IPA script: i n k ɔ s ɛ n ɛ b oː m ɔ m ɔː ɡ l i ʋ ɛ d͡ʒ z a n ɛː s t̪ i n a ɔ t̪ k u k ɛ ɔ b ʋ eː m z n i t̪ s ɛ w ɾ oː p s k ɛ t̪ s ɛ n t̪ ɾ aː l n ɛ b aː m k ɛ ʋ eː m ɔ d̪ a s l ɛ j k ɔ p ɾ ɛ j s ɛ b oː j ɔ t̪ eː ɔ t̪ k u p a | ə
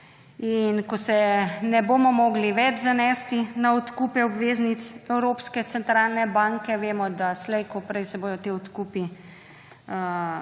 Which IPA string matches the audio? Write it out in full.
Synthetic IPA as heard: i n k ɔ s ɛ n ɛ b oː m ɔ m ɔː ɡ l i ʋ ɛ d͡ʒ z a n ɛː s t̪ i n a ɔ t̪ k u p ɛ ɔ b ʋ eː z n i t̪ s ɛ w ɾ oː p s k ɛ t̪ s ɛ n t̪ ɾ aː l n ɛ b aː ŋ k ɛ ʋ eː m ɔ d̪ a s l ɛ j k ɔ p ɾ ɛ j s ɛ b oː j ɔ t̪ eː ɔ t̪ k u p i | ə